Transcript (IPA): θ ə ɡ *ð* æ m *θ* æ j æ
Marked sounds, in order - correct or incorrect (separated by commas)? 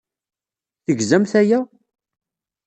incorrect, correct